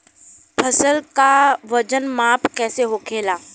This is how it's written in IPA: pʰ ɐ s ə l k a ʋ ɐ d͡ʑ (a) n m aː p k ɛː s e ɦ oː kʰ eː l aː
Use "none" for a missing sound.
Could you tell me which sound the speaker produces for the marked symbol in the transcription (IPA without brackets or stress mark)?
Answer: ə